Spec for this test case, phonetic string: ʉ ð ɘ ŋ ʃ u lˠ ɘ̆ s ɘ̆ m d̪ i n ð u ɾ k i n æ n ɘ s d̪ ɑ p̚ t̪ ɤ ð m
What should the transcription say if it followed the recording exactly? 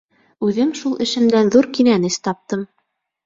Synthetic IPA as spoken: ʉ ð ɘ m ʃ u lˠ ɘ̆ ʃ ɘ̆ m d̪ æ n ð u ɾ k i n æ n ɘ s t̪ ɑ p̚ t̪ ɤ m